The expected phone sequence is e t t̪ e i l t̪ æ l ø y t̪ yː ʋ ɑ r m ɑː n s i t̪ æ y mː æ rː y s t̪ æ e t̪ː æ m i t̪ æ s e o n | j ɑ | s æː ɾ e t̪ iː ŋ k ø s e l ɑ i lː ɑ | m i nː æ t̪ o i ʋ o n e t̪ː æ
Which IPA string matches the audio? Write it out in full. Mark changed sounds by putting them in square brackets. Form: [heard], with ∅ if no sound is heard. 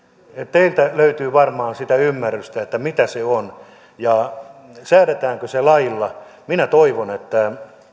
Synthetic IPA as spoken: e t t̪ e i l t̪ æ l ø y t̪ yː ʋ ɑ r m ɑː n s i t̪ æ y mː æ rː y s t̪ æ e t̪ː æ m i t̪ æ s e o n | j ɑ | s æː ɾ e t̪ [æː] ŋ k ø s e l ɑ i lː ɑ | m i [n] æ t̪ o i ʋ o n e t̪ː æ